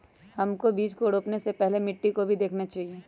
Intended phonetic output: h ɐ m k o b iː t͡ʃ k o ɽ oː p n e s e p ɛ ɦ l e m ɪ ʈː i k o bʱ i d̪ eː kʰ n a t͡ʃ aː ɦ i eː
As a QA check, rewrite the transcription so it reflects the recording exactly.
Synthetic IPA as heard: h ɐ m k o b iː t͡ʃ k o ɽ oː p n e s e p ɛ ɦ l e m ɪ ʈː i k o bʱ i d̪ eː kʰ n a t͡ʃ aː ɦ i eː